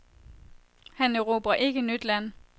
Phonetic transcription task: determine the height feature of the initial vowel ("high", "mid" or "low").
low